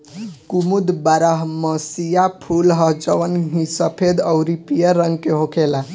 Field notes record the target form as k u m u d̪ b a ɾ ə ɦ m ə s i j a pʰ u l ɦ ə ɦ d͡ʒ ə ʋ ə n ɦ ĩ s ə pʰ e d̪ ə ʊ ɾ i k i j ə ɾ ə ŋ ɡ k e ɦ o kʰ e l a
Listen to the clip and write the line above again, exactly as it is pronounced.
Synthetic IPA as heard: k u m u d̪ b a ɾ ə ɦ m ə s i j a pʰ u l ɦ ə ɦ d͡ʒ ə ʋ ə n ɦ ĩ s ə pʰ e d̪ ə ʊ ɾ i p i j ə ɾ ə ŋ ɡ k e ɦ o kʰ e l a